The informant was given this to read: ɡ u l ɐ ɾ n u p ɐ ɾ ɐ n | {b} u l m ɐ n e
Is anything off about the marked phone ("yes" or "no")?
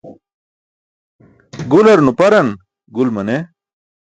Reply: yes